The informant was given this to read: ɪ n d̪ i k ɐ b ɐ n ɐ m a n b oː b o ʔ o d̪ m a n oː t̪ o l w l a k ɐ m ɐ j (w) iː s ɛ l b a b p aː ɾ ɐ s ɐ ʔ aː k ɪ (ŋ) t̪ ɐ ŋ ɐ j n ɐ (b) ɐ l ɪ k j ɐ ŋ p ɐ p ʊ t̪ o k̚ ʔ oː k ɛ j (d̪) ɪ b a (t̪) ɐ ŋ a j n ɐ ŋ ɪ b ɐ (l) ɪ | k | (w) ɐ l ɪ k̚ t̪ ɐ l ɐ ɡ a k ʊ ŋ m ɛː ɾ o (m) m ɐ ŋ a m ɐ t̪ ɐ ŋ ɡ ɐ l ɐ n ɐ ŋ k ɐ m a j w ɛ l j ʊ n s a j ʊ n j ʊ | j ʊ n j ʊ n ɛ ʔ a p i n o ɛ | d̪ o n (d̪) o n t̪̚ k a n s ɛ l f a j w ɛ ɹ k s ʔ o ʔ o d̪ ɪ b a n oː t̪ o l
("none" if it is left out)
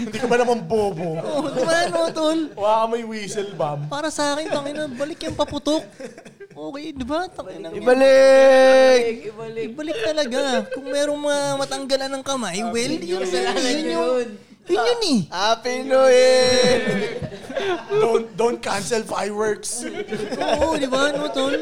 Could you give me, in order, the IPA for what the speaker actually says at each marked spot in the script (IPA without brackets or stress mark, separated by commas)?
w, n, b, d̪, t̪, l, b, ŋ, d̪